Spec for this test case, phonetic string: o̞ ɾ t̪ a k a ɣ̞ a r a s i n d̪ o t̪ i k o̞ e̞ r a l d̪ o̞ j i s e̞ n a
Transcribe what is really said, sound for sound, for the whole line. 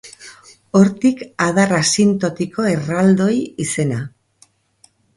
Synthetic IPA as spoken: o̞ ɾ t̪ i k a ð̞ a r a s i n t̪ o t̪ i k o̞ e̞ r a l d̪ o̞ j i s e̞ n a